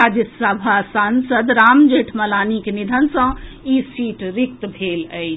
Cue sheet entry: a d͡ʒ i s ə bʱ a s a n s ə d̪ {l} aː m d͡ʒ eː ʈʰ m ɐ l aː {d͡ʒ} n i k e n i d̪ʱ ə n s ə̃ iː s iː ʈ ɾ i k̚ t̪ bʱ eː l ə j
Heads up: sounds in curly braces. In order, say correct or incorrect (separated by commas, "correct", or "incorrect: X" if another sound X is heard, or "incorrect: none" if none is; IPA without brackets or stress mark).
incorrect: ɾ, incorrect: none